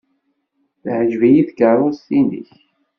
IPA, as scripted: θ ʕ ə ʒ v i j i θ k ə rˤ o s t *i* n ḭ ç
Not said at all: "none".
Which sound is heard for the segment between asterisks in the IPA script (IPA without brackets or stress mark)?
i